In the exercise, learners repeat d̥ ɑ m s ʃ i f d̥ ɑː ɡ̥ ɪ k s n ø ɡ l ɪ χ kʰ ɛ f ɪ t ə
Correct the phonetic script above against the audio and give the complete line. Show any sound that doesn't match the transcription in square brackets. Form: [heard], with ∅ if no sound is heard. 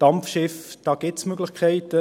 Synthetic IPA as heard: d̥ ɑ m [f] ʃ [ɪ] f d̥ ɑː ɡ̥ ɪ [t] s [m] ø ɡ l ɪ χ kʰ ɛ [∅] ɪ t ə